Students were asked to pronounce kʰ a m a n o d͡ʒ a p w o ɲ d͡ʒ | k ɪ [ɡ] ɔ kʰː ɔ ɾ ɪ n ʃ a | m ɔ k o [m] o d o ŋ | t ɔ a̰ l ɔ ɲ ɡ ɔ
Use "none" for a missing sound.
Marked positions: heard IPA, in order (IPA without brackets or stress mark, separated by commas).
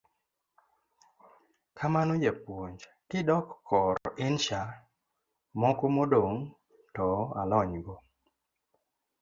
d, m